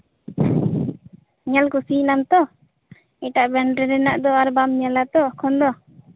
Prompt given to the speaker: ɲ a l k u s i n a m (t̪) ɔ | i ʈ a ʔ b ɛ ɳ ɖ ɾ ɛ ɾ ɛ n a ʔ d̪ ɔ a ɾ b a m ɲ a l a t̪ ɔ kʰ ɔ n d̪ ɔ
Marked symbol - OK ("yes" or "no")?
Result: yes